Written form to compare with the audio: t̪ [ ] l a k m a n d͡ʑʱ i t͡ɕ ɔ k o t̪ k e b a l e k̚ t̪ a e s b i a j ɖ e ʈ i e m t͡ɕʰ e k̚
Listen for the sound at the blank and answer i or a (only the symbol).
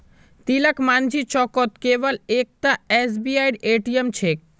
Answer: i